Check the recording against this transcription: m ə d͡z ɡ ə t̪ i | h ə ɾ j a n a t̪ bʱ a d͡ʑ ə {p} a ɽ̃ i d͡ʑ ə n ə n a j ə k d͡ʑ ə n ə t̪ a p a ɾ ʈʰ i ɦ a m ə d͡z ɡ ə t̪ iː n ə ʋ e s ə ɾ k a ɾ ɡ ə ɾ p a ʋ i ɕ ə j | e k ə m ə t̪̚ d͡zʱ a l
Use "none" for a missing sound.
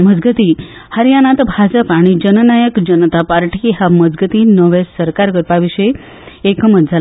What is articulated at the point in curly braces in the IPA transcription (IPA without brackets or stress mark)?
p